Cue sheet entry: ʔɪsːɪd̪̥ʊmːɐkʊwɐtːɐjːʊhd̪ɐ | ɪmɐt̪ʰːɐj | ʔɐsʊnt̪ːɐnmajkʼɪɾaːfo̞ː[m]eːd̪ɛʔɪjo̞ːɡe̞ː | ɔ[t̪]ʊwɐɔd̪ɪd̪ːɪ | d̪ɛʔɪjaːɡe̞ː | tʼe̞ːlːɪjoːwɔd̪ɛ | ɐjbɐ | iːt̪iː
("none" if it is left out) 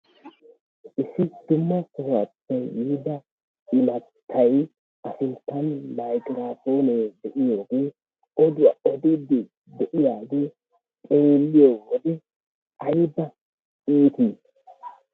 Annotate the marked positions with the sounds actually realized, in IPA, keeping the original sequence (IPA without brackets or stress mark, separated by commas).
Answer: n, d̪